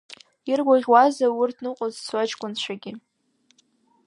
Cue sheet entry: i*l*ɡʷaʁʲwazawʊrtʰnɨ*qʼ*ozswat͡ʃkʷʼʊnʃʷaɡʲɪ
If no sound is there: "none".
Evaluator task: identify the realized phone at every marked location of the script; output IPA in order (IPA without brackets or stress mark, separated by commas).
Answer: r, qʼ